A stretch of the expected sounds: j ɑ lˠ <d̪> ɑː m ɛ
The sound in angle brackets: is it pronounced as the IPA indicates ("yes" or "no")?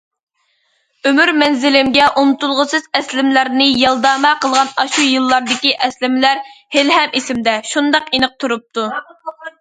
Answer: yes